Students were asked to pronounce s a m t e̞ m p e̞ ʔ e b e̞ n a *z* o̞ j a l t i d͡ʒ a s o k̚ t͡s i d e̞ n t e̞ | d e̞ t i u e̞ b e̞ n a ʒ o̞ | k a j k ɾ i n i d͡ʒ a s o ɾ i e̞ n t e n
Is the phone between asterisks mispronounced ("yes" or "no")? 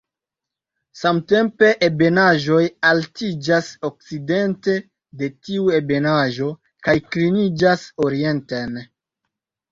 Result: yes